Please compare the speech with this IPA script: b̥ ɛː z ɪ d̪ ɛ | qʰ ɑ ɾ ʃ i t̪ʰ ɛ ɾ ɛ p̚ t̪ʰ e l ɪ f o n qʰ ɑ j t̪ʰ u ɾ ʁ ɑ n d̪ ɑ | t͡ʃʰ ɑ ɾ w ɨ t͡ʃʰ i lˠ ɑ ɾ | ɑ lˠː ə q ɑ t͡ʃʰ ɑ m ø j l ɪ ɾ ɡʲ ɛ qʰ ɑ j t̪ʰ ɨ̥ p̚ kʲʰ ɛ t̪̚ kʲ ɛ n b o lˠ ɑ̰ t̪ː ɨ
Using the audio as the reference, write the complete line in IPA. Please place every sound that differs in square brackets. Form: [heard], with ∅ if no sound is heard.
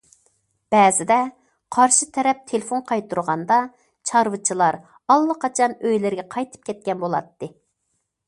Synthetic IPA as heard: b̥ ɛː z ɪ d̪ ɛ | qʰ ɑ ɾ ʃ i t̪ʰ ɛ ɾ ɛ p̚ t̪ʰ e l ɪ f o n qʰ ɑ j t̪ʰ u ɾ ʁ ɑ n d̪ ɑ | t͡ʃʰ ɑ ɾ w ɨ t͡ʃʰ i lˠ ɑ ɾ | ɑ lˠː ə q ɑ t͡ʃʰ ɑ [n] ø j l ɪ ɾ ɡʲ ɛ qʰ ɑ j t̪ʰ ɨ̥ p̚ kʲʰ ɛ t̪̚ kʲ ɛ n b o lˠ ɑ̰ t̪ː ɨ